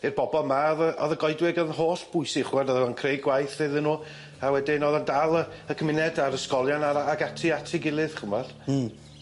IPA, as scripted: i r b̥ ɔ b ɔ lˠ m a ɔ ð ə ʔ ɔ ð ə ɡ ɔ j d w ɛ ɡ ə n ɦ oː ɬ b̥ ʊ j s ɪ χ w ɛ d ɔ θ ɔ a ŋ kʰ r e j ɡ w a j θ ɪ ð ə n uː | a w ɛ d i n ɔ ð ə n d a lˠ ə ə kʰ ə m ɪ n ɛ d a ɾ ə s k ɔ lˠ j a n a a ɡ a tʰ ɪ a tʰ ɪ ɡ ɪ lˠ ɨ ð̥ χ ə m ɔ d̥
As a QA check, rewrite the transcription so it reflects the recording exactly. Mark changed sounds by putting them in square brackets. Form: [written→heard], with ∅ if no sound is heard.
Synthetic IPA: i r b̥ ɔ b ɔ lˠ m a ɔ ð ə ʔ ɔ ð ə ɡ ɔ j d w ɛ ɡ ə n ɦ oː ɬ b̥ ʊ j s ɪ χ w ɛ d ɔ [θ→ð] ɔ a [ŋ→n] kʰ r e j ɡ w a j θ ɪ ð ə n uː | a w ɛ d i n ɔ ð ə n d a lˠ ə ə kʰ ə m ɪ n ɛ d a ɾ ə s k ɔ lˠ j a n a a ɡ a tʰ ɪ a tʰ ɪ ɡ ɪ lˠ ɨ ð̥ χ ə m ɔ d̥